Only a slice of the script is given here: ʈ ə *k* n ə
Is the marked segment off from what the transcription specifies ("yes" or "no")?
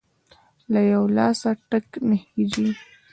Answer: no